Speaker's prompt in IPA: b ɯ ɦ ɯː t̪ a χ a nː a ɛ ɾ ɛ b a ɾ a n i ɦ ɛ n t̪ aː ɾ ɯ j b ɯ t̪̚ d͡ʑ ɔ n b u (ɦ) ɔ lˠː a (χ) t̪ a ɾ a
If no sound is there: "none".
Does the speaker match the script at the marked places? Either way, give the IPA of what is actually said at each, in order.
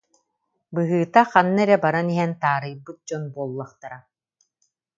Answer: none, χ

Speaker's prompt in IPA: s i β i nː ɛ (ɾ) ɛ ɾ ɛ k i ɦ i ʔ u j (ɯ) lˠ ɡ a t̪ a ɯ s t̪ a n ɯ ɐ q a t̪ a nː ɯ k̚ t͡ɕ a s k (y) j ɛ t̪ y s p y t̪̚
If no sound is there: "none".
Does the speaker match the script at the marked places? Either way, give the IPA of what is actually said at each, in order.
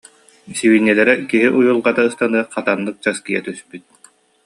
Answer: l, u, i

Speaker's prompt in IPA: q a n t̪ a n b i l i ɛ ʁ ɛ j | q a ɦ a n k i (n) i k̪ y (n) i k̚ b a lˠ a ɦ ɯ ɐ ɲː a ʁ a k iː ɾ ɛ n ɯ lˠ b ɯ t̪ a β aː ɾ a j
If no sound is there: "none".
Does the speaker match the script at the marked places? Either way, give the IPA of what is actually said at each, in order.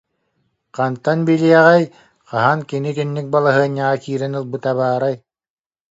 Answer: n, nː

